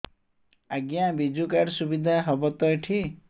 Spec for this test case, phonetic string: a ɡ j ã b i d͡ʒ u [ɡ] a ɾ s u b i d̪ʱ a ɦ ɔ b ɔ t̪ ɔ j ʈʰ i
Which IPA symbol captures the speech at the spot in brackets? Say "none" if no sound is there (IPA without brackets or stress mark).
k